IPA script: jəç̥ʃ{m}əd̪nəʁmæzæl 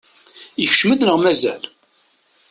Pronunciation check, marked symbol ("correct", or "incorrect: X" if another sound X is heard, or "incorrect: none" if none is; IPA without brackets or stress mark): correct